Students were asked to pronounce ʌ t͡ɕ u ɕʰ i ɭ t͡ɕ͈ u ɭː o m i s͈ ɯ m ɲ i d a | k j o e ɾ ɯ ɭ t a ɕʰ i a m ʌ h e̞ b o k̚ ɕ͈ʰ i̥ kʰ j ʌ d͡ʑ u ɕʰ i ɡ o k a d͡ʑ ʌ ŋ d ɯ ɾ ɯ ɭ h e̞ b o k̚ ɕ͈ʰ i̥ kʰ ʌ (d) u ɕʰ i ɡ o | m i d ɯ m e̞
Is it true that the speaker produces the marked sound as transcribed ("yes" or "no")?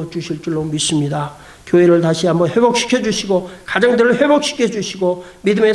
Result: no